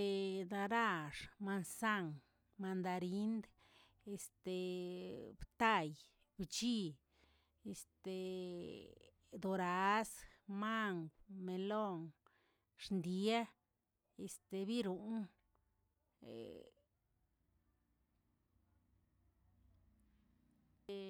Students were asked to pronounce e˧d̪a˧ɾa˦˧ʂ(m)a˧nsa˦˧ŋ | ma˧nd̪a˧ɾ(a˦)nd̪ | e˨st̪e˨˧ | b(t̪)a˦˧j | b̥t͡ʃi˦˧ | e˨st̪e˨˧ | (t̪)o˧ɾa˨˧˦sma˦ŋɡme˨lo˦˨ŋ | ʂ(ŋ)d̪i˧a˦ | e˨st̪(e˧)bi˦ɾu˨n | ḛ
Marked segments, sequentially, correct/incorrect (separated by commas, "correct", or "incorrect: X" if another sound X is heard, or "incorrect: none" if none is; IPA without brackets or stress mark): correct, incorrect: i˦, correct, incorrect: d̪, incorrect: n, correct